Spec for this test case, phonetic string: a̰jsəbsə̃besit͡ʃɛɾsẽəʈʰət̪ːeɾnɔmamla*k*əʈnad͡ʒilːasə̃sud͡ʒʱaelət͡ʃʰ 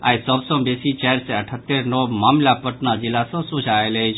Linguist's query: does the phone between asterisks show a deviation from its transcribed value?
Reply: yes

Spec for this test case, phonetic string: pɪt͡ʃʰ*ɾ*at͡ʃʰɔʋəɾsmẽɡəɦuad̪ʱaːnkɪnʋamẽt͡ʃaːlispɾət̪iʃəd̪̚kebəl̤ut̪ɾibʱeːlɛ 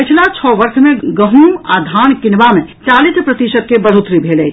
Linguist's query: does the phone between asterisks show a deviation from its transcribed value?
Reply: yes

